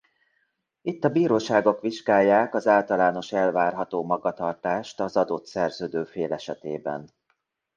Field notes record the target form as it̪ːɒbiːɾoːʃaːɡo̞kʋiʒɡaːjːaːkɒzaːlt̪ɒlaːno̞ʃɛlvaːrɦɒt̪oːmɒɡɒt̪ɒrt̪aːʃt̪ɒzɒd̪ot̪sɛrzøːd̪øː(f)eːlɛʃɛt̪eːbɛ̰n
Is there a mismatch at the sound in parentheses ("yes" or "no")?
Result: no